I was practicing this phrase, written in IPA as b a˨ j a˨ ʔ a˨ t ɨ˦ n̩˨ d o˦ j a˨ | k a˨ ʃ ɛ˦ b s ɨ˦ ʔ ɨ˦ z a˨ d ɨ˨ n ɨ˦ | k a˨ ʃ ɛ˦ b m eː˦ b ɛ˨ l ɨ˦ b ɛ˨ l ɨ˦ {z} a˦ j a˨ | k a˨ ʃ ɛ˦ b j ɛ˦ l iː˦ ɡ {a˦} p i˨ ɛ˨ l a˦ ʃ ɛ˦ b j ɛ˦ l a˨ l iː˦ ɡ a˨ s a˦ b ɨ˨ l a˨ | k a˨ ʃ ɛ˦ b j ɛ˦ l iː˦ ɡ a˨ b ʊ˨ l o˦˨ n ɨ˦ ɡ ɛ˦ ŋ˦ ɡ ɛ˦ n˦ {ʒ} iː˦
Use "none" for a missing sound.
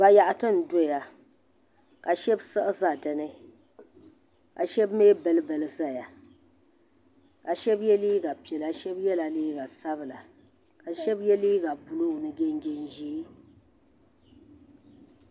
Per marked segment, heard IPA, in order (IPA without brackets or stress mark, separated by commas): z, a˨, ʒ